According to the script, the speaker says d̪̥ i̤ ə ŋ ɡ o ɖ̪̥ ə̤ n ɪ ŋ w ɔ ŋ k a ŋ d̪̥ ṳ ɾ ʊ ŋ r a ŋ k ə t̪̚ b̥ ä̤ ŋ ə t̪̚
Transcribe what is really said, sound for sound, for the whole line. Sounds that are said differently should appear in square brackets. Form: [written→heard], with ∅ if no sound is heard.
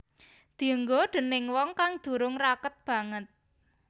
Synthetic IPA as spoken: d̪̥ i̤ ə ŋ ɡ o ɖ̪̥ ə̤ n ɪ ŋ w ɔ ŋ k a ŋ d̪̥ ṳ ɾ ʊ ŋ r a [ŋ→∅] k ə t̪̚ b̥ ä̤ ŋ ə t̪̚